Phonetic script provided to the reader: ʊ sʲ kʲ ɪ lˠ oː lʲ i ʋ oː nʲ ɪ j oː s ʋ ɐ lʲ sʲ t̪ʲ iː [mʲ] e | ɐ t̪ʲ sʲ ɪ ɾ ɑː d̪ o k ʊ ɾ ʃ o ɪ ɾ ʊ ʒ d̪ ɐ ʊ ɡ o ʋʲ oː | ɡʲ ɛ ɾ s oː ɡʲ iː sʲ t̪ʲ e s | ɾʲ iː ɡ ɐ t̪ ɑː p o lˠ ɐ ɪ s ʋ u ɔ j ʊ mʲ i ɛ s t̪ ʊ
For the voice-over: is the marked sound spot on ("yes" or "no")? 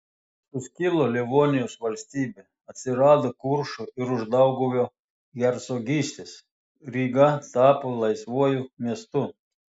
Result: no